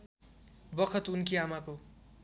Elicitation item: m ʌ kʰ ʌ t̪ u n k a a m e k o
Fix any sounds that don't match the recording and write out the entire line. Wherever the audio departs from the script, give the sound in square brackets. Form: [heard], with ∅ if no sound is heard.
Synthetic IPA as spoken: [b] ʌ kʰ ʌ t̪ u n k [i] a m [a] k o